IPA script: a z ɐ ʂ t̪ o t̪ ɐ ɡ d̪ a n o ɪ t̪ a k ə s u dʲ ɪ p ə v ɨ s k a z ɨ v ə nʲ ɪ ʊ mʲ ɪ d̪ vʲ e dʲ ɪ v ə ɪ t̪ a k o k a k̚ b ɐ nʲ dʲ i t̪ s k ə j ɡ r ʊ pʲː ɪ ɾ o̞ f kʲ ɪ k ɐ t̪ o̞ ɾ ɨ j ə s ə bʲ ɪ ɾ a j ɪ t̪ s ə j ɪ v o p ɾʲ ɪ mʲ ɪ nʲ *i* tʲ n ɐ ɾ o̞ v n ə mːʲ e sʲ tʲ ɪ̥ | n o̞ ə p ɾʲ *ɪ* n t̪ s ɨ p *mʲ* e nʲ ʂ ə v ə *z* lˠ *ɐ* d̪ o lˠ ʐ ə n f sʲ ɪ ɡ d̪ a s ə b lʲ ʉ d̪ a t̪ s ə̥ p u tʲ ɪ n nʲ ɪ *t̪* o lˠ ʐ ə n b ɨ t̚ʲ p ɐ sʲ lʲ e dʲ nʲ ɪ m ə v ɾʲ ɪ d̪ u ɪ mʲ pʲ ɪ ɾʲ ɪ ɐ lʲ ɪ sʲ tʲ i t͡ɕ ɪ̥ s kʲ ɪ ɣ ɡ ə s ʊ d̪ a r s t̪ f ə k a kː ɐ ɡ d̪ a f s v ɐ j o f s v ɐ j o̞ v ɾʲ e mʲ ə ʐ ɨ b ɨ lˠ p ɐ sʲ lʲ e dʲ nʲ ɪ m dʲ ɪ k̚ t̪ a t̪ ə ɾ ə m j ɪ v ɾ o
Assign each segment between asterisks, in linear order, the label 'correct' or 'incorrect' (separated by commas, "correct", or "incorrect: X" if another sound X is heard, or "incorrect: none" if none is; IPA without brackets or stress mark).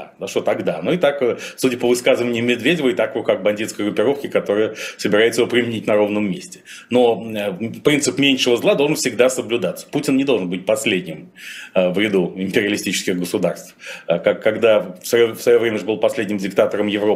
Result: correct, incorrect: i, correct, correct, incorrect: a, incorrect: d̪